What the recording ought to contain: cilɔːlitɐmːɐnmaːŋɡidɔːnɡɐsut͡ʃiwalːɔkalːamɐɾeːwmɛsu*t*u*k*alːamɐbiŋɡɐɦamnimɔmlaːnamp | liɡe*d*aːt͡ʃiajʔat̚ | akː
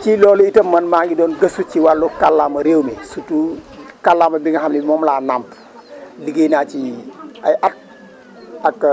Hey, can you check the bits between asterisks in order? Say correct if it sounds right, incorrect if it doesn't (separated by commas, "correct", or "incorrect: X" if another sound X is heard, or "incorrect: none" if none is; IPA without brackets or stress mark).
correct, correct, incorrect: n